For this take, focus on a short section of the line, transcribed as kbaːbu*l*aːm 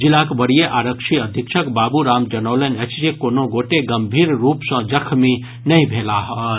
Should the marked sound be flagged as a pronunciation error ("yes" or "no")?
yes